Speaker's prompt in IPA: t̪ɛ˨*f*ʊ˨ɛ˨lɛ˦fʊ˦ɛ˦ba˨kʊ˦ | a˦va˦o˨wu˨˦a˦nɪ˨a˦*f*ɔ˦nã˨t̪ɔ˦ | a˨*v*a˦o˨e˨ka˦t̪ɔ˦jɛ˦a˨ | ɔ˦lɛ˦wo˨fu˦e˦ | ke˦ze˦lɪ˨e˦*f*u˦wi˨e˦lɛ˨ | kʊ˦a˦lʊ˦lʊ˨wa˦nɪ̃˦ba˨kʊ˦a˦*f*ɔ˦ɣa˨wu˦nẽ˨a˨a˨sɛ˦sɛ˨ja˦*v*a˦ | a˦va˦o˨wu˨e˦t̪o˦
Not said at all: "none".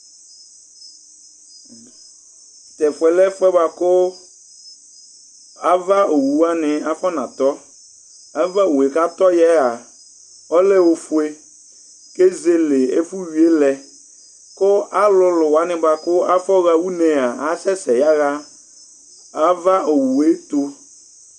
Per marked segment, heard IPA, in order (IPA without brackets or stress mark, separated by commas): f, f, v, f, f, ɣ